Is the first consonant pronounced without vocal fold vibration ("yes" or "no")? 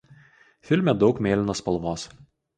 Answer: yes